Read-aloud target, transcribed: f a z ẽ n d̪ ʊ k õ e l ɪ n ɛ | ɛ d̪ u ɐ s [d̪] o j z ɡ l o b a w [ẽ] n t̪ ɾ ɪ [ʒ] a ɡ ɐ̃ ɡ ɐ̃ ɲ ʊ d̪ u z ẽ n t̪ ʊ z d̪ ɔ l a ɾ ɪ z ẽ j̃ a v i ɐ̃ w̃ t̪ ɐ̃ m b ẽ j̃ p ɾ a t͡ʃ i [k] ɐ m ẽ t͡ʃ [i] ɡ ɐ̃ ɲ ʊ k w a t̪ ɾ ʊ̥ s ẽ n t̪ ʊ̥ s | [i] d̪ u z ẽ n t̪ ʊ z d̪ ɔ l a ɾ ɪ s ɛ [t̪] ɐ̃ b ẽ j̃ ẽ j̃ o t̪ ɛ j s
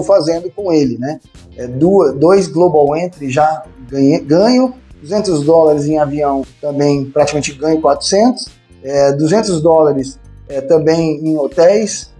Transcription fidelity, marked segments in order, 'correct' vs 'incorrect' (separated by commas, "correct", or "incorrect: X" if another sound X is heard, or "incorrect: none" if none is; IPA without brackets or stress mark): correct, correct, correct, correct, incorrect: ɪ, incorrect: ɛ, correct